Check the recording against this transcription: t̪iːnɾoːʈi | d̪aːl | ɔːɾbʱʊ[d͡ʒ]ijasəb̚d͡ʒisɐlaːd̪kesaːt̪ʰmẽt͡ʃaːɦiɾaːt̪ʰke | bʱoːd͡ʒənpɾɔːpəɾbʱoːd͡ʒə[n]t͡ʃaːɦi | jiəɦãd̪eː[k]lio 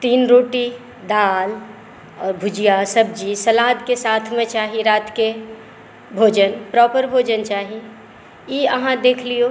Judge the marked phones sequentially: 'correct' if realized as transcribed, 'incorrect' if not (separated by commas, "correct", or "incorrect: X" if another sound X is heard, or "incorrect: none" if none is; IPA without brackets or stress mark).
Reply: correct, correct, incorrect: kʰ